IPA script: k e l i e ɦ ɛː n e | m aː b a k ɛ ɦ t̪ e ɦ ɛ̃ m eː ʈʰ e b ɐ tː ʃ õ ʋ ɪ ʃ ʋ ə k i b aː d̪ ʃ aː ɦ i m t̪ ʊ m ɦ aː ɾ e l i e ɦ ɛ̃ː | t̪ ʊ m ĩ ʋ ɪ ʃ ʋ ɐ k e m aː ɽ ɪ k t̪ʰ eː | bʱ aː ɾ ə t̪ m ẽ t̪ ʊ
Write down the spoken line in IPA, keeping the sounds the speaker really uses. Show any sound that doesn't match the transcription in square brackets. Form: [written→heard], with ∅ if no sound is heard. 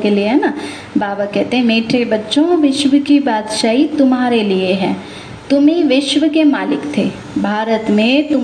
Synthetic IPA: k e l i e ɦ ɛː n [e→a] | [m→b] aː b a k ɛ ɦ t̪ e ɦ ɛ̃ m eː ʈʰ e b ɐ tː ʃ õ ʋ ɪ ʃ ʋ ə k i b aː d̪ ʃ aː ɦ i [m→∅] t̪ ʊ m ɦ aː ɾ e l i e ɦ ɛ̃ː | t̪ ʊ m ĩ ʋ ɪ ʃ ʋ [ɐ→ə] k e m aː [ɽ→l] ɪ k t̪ʰ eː | bʱ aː ɾ ə t̪ m ẽ t̪ ʊ